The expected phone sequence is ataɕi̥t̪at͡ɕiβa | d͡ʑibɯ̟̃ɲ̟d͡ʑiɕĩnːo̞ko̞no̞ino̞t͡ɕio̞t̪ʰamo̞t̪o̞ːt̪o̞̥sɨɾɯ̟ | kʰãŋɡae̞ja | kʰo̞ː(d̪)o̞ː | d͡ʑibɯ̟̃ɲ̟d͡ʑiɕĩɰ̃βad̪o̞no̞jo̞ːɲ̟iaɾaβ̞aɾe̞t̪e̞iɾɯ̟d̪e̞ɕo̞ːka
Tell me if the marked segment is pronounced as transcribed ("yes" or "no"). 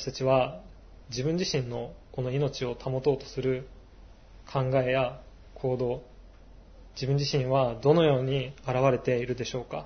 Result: yes